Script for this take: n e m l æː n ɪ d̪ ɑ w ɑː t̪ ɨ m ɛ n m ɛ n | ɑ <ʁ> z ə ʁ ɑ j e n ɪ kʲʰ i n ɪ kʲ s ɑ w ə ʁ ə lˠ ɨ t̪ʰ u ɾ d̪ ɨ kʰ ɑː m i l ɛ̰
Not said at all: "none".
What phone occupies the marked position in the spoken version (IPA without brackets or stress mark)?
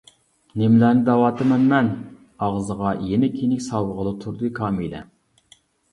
ʁ